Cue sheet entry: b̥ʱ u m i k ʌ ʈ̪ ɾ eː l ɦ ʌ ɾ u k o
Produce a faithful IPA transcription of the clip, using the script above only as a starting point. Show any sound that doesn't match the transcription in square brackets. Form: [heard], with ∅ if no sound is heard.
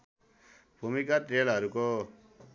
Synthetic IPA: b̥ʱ u m i k [a] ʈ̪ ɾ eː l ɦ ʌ ɾ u k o